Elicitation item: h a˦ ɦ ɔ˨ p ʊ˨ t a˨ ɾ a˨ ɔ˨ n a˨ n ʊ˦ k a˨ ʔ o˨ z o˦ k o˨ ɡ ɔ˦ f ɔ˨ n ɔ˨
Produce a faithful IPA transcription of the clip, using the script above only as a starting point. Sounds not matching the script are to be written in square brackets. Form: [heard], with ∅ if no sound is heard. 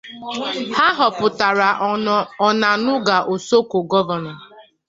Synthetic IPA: h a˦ ɦ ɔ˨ p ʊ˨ t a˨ ɾ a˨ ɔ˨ n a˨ n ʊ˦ [ɡ] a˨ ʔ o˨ [s] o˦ k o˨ ɡ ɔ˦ [v] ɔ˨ n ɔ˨